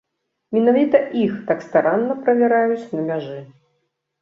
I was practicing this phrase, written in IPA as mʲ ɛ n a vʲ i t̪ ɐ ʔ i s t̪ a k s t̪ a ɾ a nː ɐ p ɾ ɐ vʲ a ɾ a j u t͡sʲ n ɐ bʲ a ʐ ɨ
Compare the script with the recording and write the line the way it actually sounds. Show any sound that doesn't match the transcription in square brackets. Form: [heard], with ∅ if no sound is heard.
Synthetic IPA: mʲ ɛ n a vʲ i t̪ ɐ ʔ i [x] t̪ a k s t̪ a ɾ a nː ɐ p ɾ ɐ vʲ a ɾ a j u t͡sʲ n ɐ [mʲ] a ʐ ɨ